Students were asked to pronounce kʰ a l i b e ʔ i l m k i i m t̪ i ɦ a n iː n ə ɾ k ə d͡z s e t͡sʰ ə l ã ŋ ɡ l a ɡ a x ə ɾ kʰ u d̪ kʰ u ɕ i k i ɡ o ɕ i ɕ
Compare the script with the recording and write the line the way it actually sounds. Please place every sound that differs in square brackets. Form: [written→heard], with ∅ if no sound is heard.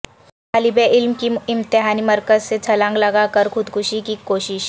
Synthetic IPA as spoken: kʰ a l i b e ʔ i l m k i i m t̪ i ɦ a n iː [n→m] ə ɾ k ə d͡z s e t͡sʰ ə l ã ŋ ɡ l a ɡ a [x→k] ə ɾ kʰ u d̪ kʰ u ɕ i k i [ɡ→k] o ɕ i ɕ